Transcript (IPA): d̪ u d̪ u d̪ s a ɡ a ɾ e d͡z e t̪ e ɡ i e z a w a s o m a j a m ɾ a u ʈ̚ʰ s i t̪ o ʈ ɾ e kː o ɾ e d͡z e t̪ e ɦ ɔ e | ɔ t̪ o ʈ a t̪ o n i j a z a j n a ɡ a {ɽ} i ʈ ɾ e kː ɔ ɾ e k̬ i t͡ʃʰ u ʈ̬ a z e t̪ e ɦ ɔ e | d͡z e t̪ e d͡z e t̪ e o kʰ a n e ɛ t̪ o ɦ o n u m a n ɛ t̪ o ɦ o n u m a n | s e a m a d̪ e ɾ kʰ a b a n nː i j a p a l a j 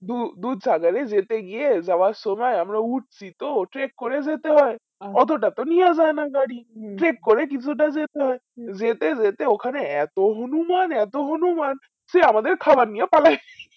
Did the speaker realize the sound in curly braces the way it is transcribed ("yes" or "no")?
yes